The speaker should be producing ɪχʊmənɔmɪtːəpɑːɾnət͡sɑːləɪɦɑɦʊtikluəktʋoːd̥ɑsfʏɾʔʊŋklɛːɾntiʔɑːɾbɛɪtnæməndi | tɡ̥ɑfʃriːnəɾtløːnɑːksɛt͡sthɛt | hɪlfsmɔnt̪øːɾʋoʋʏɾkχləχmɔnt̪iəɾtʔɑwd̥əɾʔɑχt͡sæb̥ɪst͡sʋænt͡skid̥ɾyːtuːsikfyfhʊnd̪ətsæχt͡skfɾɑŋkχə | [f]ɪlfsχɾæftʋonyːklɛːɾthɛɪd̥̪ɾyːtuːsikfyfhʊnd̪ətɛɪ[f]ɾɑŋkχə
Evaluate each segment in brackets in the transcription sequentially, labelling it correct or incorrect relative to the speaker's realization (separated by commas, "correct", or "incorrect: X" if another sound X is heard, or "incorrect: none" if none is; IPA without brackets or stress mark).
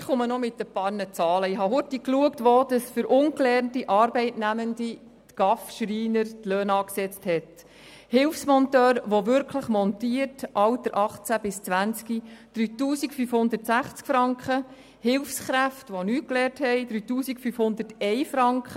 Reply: incorrect: h, correct